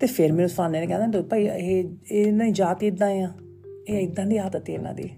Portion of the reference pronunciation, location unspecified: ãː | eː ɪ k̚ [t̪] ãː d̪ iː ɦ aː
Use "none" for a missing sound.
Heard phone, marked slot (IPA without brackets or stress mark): d̪